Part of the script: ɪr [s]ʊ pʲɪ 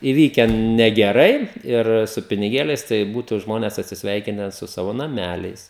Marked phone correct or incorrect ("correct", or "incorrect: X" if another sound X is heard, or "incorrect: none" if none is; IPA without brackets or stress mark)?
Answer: correct